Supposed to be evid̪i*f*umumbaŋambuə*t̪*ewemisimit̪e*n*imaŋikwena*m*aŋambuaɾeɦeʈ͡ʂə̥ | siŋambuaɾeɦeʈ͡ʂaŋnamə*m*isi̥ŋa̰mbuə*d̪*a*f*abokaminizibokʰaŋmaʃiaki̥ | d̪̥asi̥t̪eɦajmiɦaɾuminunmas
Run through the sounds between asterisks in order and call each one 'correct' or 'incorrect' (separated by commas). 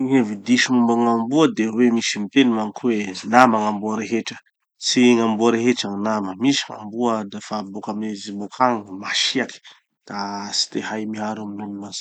incorrect, incorrect, correct, correct, correct, correct, correct